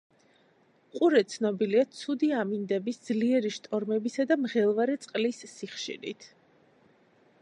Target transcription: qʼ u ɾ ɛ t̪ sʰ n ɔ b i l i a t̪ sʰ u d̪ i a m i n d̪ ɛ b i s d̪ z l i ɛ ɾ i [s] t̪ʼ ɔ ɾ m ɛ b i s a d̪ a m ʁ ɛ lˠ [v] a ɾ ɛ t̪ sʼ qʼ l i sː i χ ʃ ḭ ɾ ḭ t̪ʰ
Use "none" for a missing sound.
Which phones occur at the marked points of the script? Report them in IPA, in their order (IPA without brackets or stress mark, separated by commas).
ʃ, v